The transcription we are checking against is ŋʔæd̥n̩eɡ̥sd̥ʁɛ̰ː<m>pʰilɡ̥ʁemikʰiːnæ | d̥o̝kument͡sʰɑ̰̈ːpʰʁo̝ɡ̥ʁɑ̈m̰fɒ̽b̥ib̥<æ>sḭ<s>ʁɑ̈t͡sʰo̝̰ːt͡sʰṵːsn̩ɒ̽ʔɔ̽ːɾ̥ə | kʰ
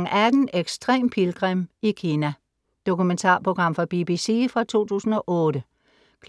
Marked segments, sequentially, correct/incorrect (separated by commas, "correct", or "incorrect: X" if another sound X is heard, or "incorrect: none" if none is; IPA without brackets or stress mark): correct, incorrect: i, incorrect: f